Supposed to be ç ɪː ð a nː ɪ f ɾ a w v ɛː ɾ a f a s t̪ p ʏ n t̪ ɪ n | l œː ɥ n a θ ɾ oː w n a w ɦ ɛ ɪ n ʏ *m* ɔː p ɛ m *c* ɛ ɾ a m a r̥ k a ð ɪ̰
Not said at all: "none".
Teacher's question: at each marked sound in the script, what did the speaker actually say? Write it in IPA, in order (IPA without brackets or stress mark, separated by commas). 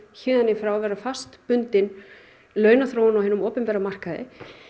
m, p